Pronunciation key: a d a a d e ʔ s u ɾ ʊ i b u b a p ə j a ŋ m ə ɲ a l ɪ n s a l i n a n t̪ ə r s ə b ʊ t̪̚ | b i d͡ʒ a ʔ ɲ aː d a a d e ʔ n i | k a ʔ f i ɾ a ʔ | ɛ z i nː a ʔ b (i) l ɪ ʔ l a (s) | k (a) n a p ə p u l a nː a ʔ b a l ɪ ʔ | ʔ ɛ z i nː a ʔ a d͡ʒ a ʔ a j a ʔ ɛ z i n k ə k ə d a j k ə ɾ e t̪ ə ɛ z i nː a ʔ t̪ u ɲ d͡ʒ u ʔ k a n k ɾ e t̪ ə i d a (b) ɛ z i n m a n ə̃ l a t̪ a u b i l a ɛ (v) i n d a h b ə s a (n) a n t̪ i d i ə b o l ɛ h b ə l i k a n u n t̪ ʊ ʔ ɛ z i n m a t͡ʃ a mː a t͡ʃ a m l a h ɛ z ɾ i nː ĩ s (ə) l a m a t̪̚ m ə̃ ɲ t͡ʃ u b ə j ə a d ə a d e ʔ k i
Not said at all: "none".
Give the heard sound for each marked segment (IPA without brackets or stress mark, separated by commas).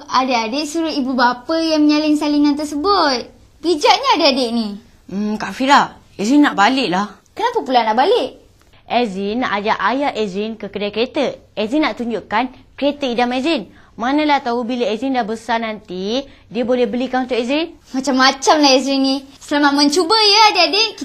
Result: a, h, ə, m, z, n, ə